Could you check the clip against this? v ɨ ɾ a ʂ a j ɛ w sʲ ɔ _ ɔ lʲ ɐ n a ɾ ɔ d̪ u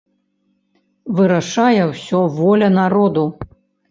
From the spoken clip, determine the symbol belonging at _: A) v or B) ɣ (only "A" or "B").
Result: A